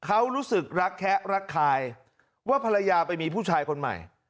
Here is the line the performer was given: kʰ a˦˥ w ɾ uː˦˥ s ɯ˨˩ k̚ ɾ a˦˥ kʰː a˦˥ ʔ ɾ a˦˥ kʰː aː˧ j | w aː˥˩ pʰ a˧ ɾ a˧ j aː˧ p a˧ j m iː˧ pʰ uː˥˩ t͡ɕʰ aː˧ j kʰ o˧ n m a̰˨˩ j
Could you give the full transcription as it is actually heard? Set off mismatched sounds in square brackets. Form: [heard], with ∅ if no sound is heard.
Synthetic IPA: kʰ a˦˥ w ɾ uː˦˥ s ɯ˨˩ k̚ ɾ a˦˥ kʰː [ɛ˦˥] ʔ ɾ a˦˥ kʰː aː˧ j | w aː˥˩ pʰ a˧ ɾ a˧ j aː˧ p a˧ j m iː˧ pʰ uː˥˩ t͡ɕʰ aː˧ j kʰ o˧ n m a̰˨˩ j